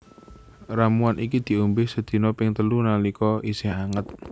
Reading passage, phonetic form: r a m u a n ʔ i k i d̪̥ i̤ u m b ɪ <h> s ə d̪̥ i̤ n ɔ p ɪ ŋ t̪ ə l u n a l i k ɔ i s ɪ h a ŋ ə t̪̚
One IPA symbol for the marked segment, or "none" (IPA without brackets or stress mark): h